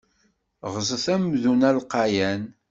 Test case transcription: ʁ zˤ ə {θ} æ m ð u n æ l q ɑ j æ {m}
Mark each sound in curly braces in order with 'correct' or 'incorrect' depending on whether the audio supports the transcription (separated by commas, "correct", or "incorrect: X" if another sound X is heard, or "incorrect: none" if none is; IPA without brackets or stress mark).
correct, incorrect: n